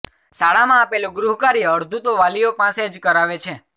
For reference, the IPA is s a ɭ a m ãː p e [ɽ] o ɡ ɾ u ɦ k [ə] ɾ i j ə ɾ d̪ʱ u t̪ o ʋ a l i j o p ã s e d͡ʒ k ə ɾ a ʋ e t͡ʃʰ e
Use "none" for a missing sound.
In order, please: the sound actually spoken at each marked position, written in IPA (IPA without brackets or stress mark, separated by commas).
l, a